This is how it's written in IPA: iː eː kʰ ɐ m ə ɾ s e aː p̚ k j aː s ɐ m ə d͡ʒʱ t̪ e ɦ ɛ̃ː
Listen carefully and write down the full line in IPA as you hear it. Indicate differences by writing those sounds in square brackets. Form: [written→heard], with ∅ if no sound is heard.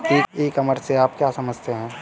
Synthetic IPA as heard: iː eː [kʰ→k] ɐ m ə ɾ s e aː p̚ k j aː s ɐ m ə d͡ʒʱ t̪ e ɦ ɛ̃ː